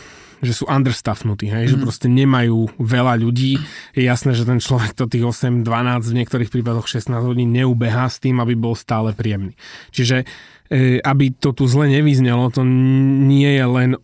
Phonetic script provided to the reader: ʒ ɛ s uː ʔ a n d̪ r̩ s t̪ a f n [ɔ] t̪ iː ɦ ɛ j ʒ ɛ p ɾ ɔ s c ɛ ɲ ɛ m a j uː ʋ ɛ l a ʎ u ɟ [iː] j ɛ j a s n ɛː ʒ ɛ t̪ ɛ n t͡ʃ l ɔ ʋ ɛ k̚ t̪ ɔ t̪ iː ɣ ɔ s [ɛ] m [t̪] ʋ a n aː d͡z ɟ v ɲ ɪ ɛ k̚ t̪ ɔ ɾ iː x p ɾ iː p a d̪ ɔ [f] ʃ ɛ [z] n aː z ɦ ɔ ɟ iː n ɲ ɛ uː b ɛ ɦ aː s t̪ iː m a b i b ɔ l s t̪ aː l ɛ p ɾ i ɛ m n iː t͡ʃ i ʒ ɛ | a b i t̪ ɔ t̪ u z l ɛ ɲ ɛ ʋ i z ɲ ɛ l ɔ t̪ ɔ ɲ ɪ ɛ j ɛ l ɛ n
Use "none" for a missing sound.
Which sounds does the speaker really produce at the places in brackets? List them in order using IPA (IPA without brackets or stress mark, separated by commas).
u, iː, ɛ, d̪, x, s